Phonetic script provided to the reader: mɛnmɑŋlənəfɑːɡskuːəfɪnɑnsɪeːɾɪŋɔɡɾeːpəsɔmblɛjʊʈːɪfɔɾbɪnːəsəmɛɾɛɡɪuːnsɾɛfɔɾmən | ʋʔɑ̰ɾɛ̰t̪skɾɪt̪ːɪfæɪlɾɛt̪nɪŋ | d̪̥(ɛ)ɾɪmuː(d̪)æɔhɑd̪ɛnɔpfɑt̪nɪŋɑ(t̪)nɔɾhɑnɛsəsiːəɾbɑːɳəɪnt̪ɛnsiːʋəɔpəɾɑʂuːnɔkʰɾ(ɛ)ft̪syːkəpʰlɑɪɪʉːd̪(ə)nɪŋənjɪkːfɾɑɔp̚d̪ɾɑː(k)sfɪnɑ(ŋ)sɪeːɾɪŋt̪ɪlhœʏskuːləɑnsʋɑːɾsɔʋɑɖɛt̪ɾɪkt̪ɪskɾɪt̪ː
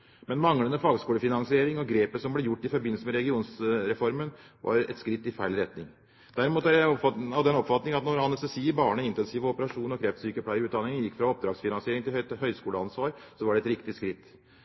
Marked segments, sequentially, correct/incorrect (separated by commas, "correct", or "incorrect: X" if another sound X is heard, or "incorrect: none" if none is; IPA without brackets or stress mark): incorrect: æ, incorrect: t̪, correct, correct, incorrect: ɑ, incorrect: ɡ, incorrect: n